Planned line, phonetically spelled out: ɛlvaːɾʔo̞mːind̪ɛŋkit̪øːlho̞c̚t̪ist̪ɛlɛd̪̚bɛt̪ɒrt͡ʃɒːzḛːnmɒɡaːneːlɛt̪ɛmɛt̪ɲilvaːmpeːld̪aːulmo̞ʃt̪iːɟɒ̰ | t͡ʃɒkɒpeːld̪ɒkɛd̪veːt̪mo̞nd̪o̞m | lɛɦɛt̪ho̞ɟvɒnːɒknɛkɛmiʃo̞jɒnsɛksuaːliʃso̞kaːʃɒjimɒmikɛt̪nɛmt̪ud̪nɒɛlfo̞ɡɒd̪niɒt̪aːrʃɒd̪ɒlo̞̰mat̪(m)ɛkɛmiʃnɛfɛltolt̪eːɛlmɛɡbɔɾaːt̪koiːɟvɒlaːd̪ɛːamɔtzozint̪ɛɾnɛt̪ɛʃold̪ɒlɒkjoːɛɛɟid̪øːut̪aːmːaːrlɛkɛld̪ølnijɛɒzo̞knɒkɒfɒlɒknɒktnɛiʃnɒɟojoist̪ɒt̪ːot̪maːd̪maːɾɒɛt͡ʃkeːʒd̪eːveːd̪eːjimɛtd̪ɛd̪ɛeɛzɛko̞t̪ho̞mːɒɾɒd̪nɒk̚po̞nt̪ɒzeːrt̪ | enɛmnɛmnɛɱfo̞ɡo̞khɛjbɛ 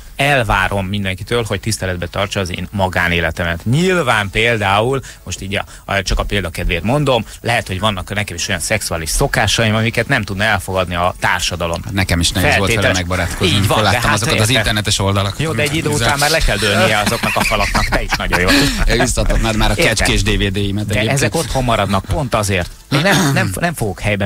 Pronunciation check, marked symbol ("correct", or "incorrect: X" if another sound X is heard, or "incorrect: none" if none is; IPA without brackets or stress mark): incorrect: n